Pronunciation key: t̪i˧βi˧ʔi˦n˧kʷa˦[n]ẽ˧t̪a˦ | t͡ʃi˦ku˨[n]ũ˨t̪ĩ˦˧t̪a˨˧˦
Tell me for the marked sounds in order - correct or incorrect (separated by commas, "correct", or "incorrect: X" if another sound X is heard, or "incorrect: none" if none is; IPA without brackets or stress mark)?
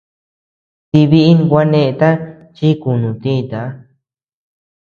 correct, correct